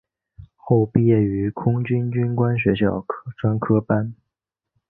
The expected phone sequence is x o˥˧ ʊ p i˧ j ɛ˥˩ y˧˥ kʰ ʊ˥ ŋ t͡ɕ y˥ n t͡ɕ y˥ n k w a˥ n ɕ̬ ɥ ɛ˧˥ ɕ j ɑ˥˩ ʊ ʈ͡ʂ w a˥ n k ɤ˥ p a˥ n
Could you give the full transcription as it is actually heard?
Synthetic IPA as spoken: x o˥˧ ʊ p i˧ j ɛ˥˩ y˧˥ kʰ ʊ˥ ŋ t͡ɕ y˥ n t͡ɕ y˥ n k w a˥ n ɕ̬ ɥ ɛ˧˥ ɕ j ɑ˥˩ ʊ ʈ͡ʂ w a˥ n kʰ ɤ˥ p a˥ n